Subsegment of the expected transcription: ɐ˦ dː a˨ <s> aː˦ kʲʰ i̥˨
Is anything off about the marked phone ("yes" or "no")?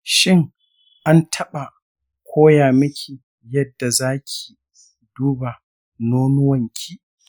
yes